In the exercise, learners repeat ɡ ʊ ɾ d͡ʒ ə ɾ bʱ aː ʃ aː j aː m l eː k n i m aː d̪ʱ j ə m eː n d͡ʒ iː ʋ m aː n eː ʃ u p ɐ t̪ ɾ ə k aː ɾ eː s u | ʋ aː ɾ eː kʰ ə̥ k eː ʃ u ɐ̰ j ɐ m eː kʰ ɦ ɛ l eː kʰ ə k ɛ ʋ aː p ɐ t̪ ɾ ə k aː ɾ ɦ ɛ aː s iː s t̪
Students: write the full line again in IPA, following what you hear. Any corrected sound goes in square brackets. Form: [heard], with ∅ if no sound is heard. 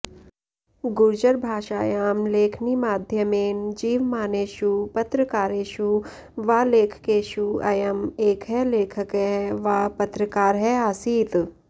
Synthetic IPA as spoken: ɡ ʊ ɾ d͡ʒ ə ɾ bʱ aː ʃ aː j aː m l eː [kʰ] n i m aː d̪ʱ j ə m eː n d͡ʒ iː ʋ m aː n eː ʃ u p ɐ t̪ ɾ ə k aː ɾ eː [ʃ] u | ʋ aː [l] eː kʰ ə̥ k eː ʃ u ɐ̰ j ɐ m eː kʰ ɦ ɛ l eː kʰ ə k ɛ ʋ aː p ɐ t̪ ɾ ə k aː ɾ ɦ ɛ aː s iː [∅] t̪